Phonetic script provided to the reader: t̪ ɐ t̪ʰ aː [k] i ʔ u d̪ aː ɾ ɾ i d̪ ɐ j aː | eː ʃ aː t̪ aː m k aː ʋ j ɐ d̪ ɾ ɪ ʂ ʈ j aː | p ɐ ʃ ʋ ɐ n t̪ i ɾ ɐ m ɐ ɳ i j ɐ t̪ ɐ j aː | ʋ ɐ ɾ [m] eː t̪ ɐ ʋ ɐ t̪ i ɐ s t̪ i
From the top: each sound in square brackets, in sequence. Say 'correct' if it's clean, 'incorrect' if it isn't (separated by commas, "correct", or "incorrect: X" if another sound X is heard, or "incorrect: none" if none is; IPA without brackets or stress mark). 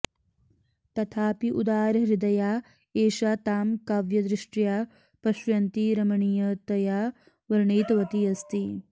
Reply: incorrect: p, incorrect: ɳ